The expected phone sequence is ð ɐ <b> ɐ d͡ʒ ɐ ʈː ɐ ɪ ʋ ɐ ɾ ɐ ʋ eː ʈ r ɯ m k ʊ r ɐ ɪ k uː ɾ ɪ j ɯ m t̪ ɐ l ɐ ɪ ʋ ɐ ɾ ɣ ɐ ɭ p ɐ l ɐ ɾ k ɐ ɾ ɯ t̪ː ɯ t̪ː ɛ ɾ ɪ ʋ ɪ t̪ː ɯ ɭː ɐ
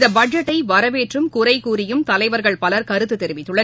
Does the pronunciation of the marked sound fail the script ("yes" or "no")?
no